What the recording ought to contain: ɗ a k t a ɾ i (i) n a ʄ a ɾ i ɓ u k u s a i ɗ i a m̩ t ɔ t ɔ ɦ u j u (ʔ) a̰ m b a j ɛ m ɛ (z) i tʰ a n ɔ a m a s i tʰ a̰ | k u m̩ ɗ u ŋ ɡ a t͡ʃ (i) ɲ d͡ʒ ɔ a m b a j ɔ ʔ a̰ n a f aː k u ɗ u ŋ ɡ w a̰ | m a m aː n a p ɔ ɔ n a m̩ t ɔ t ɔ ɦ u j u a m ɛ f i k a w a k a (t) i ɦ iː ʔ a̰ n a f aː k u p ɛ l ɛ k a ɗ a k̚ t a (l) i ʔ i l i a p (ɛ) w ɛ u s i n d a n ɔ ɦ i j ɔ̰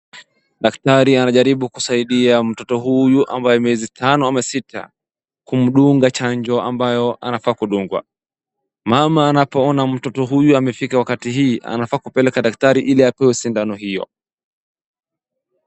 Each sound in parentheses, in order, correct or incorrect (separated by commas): incorrect, correct, correct, incorrect, correct, incorrect, correct